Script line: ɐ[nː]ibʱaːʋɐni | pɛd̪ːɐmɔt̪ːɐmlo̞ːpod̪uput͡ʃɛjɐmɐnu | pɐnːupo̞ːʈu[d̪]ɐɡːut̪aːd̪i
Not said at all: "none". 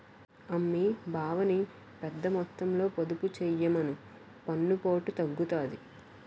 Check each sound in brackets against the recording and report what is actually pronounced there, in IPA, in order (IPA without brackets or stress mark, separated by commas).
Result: mː, t̪